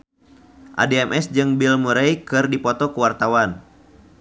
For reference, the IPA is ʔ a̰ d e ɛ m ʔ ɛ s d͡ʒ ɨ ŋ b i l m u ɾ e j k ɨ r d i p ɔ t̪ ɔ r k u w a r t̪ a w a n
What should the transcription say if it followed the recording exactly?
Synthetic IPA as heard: ʔ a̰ d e ɛ m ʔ ɛ s d͡ʒ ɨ ŋ b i l m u ɾ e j k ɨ r d i p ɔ t̪ ɔ k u w a r t̪ a w a n